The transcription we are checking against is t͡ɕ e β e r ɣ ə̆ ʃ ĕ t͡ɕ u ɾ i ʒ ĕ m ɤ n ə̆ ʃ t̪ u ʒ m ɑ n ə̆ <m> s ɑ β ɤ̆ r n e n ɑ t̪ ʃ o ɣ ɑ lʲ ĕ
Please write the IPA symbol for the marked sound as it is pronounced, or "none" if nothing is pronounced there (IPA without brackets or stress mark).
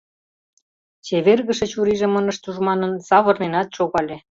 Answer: n